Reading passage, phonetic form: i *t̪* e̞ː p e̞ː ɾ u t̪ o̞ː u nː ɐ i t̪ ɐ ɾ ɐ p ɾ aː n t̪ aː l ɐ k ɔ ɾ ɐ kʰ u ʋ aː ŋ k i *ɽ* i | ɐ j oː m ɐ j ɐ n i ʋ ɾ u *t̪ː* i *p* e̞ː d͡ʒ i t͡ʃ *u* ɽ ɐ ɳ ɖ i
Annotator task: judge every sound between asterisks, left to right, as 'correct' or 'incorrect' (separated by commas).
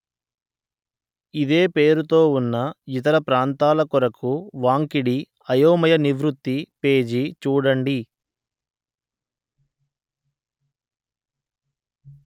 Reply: incorrect, correct, correct, correct, incorrect